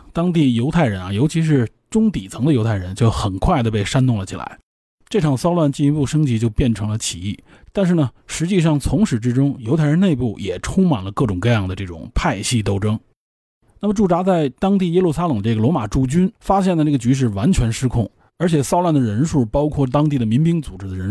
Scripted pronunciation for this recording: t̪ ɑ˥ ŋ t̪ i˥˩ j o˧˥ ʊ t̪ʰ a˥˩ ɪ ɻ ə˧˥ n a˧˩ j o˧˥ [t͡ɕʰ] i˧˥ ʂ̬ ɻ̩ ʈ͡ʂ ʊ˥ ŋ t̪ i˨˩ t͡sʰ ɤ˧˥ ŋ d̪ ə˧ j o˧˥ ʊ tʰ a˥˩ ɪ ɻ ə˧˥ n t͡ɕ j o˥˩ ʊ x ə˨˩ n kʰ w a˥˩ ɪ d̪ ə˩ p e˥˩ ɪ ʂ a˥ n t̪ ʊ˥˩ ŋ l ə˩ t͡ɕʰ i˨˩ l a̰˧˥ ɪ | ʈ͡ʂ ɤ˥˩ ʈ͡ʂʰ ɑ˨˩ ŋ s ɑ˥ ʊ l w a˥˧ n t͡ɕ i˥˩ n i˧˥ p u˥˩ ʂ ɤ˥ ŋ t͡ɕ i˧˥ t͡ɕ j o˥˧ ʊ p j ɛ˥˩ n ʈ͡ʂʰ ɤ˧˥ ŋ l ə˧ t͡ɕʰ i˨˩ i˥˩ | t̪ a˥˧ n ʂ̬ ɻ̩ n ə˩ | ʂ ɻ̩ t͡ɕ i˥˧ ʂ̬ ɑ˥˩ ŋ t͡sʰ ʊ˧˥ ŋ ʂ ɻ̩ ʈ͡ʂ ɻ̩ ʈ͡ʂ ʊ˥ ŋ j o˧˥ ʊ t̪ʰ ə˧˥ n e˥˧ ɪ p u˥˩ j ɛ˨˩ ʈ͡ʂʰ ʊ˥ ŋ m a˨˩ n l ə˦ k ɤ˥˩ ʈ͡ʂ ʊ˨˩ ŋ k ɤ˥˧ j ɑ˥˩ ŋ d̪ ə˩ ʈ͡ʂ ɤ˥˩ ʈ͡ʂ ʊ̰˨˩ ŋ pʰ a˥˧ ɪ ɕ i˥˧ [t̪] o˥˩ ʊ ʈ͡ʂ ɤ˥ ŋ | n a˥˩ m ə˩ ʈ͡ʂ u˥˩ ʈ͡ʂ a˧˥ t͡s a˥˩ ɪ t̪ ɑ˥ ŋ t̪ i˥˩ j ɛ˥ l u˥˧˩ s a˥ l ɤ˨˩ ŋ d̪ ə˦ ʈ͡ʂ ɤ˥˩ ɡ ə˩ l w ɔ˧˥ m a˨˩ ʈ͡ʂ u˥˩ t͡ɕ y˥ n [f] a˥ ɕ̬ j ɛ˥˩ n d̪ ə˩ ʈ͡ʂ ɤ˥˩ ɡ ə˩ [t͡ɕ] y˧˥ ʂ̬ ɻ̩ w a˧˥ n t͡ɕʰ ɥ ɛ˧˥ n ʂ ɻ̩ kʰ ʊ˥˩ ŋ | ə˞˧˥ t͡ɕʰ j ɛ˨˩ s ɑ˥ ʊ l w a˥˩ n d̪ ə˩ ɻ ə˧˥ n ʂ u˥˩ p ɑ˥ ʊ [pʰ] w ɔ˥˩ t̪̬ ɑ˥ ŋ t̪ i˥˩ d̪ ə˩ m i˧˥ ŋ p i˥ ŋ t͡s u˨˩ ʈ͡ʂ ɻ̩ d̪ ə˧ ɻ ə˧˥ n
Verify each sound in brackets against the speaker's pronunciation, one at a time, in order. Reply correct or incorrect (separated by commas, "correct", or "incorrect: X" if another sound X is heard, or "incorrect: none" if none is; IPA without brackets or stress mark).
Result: correct, correct, correct, correct, incorrect: kʰ